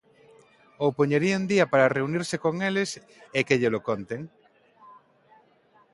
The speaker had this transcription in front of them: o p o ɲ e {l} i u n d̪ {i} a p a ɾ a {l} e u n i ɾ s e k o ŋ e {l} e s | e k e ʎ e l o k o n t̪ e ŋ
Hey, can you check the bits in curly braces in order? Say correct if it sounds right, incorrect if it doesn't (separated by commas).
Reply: incorrect, correct, incorrect, correct